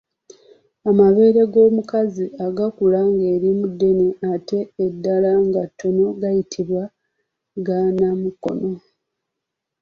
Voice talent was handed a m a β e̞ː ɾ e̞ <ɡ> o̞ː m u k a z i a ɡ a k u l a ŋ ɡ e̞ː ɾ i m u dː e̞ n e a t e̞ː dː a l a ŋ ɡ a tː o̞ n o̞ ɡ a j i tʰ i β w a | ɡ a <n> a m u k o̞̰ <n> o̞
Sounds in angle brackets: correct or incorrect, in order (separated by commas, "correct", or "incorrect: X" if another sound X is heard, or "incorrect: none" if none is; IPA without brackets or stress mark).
correct, correct, correct